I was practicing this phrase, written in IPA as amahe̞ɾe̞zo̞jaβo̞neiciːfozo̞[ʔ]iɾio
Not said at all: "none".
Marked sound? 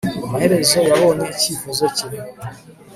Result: c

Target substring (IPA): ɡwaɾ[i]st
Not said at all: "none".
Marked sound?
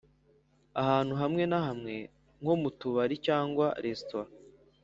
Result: e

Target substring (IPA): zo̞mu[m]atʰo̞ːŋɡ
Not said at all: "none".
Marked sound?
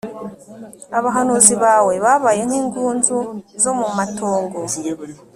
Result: m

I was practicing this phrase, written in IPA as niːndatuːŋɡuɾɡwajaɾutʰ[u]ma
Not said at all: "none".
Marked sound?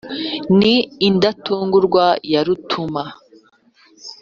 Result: u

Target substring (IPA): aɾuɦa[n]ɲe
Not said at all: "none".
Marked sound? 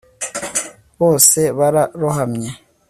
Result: m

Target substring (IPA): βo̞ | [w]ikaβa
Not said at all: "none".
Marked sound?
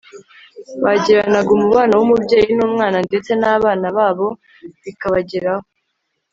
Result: β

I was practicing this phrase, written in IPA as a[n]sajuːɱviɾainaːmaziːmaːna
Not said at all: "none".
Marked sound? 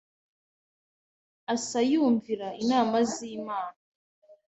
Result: none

